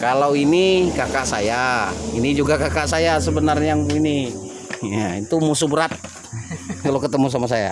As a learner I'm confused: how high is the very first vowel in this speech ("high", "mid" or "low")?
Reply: low